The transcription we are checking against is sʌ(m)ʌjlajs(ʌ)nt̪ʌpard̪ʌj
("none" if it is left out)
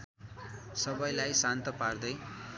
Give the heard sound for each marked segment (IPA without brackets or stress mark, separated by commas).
b, a